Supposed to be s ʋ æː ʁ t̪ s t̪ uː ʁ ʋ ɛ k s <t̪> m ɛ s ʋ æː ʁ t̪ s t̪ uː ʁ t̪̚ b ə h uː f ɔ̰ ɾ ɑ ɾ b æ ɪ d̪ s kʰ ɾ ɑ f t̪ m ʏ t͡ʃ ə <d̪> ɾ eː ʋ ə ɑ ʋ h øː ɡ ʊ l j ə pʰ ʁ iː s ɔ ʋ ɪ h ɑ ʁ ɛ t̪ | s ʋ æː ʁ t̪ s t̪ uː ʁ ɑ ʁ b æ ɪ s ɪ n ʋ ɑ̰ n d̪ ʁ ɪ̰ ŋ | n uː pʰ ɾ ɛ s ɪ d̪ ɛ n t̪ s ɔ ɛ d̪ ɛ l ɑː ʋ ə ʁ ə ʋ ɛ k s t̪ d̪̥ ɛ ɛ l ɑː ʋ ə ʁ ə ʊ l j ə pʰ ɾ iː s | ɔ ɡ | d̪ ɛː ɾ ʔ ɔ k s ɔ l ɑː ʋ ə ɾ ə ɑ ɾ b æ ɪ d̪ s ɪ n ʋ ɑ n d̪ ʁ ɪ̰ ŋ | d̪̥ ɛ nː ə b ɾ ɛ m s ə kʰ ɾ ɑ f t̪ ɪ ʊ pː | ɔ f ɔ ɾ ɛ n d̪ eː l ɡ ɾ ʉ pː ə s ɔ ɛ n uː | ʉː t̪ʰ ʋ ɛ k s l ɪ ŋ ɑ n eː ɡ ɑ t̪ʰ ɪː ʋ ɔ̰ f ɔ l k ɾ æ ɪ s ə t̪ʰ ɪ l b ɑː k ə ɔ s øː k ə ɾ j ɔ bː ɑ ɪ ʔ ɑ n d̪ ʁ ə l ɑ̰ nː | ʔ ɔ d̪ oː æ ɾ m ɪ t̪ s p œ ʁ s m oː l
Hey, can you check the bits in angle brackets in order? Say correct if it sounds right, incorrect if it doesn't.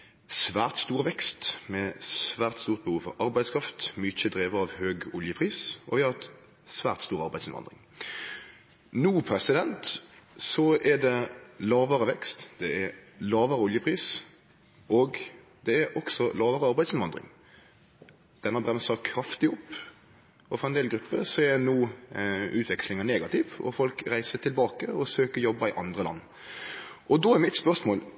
correct, correct

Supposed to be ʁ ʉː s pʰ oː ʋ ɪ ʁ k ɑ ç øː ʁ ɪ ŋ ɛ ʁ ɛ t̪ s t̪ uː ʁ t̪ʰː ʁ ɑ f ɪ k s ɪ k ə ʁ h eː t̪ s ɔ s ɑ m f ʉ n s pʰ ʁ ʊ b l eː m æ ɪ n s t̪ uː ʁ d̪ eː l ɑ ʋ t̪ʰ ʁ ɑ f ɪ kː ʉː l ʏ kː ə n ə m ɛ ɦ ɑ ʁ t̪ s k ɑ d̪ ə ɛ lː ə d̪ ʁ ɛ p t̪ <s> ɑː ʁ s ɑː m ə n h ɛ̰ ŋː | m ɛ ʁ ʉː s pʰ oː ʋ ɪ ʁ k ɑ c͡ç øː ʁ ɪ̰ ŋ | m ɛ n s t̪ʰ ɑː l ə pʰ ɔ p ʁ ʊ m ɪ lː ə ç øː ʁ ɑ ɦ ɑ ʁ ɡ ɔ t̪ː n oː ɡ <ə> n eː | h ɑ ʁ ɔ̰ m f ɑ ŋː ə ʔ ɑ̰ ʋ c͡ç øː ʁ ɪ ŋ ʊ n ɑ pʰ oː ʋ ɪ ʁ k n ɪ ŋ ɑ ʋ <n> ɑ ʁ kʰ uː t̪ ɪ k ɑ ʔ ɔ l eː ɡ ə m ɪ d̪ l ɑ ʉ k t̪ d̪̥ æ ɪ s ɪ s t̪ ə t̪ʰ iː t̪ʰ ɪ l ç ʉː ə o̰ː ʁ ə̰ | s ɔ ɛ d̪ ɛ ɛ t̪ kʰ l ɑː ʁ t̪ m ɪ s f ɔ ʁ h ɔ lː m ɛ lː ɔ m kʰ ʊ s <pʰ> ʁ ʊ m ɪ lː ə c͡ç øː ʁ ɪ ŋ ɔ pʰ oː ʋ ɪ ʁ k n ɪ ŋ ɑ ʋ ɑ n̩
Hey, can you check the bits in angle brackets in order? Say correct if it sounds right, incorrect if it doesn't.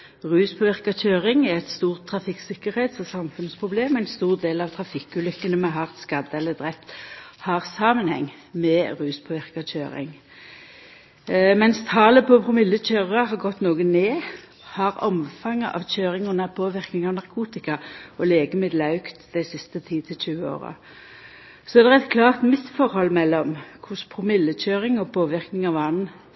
incorrect: h, correct, correct, correct

